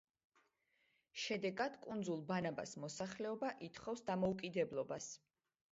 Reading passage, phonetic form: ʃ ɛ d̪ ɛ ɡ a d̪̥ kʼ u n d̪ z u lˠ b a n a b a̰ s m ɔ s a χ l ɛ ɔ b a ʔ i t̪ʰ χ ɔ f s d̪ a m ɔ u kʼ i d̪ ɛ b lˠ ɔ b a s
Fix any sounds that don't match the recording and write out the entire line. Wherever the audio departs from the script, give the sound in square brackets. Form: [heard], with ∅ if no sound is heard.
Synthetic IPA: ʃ ɛ d̪ ɛ ɡ a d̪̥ kʼ u n d̪ z u lˠ b a n a b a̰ s m ɔ s a χ l ɛ ɔ b a ʔ i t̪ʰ χ ɔ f s d̪ a m ɔ u kʼ i d̪ ɛ b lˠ ɔ b a s

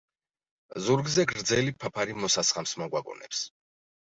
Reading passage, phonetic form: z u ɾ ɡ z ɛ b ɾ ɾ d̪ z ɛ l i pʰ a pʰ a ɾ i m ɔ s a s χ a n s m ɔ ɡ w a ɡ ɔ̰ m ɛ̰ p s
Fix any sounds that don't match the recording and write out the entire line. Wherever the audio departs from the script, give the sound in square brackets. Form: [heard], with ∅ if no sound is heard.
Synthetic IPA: z u ɾ ɡ z ɛ [ɡ] ɾ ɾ d̪ z ɛ l i pʰ a pʰ a ɾ i m ɔ s a s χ a [m] s m ɔ ɡ w a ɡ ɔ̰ [n] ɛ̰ p s

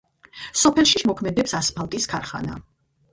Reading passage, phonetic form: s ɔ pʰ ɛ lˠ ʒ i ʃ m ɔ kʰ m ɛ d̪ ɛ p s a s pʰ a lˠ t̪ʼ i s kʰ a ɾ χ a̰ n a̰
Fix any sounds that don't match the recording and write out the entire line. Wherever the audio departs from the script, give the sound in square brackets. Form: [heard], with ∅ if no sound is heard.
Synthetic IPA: s ɔ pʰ ɛ lˠ [ʃ] i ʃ m ɔ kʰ m ɛ d̪ ɛ p s a s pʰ a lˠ t̪ʼ i s kʰ a ɾ χ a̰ n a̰

